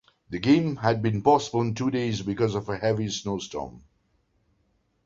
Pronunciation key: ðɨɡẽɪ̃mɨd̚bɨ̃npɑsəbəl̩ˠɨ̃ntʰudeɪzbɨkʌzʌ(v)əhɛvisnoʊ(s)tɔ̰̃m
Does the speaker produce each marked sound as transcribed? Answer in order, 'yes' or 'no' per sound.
yes, yes

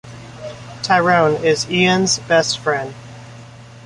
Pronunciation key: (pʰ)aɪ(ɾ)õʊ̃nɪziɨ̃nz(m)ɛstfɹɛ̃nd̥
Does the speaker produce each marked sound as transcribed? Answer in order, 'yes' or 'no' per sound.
no, no, no

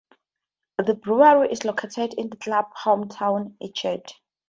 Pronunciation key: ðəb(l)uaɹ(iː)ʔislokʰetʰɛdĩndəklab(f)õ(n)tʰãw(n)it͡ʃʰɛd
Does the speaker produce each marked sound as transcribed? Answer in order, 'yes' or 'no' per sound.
no, no, no, no, yes

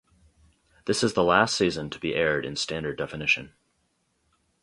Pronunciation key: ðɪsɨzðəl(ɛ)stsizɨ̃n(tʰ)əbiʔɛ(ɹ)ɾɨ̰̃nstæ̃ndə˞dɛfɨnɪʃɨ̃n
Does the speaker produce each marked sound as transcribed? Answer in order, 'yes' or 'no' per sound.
no, yes, yes

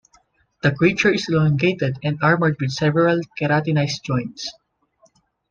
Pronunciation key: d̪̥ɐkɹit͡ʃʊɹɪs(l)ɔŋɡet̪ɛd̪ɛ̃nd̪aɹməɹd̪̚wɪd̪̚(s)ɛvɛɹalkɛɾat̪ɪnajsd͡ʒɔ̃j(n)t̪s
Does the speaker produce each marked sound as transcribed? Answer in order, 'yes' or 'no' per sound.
yes, yes, yes

